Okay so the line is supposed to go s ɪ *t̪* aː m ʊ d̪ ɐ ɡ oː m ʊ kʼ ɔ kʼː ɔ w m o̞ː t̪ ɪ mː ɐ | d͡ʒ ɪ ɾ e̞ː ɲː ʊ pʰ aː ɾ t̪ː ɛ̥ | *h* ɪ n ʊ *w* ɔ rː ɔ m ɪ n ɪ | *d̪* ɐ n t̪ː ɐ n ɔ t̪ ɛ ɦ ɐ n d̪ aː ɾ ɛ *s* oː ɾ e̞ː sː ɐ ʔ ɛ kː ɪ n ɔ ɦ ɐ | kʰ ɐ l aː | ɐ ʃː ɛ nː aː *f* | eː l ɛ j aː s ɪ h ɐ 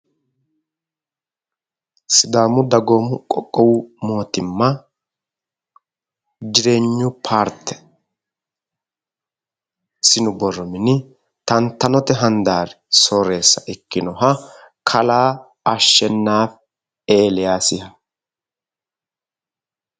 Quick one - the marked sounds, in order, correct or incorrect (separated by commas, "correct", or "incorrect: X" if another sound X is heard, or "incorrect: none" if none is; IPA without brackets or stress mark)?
incorrect: d̪, incorrect: s, incorrect: b, incorrect: t̪, correct, correct